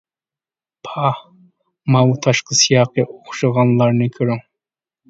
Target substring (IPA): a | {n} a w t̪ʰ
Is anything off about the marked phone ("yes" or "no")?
yes